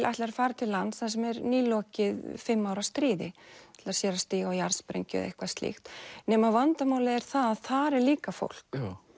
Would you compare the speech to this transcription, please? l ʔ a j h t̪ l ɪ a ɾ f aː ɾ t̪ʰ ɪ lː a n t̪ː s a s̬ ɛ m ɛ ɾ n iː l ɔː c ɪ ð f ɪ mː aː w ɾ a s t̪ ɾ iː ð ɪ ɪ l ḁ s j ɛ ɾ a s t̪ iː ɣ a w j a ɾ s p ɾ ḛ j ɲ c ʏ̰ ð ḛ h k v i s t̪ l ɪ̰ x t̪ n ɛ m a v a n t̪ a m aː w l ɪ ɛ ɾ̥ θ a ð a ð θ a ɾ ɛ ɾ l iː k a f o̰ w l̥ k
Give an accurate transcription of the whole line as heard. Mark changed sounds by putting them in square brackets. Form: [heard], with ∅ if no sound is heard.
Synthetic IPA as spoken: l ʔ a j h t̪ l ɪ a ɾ f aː ɾ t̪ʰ ɪ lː a n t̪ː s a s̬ ɛ m ɛ ɾ n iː l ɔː c ɪ ð f ɪ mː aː w ɾ a s t̪ ɾ iː ð ɪ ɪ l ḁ s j ɛ ɾ a s t̪ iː ɣ a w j a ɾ s p ɾ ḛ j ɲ c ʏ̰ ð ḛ h k v [a] s t̪ l ɪ̰ x t̪ n ɛ m a v a n t̪ a m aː w l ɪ ɛ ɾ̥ θ a ð a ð θ a ɾ ɛ ɾ l iː k a f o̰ w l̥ k